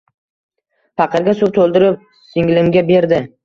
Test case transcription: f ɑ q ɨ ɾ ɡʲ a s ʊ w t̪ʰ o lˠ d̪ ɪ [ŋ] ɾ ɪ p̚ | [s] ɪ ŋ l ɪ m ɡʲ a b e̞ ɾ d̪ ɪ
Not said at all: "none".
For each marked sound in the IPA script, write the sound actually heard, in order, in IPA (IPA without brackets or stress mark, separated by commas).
none, s